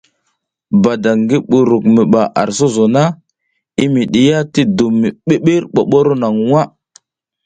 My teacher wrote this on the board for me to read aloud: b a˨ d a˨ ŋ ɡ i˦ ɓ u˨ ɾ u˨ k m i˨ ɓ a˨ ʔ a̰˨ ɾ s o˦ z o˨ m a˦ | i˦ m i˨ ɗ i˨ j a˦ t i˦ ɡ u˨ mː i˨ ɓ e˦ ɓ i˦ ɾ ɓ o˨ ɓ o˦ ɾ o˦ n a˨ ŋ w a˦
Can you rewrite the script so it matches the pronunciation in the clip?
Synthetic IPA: b a˨ d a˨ ŋ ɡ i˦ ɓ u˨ ɾ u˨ k m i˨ ɓ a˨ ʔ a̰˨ ɾ s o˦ z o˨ n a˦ | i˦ m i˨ ɗ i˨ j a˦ t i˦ d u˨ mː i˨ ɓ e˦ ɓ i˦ ɾ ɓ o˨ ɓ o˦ ɾ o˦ n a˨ ŋ w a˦